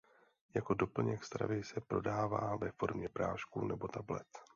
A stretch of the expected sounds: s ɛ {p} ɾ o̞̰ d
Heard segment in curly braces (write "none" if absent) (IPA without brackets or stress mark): p